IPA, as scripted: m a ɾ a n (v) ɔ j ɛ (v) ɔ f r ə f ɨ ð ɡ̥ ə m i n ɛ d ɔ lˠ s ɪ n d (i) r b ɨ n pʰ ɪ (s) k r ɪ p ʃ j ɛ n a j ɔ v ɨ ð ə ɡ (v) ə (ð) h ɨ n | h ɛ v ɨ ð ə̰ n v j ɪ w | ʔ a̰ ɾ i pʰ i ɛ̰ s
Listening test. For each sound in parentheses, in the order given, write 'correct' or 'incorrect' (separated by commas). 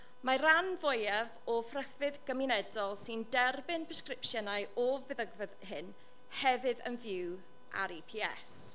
correct, correct, incorrect, correct, correct, correct